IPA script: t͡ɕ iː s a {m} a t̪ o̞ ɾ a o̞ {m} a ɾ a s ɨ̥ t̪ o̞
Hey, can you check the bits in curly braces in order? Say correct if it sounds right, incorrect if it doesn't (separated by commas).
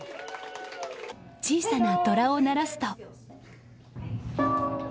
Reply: incorrect, incorrect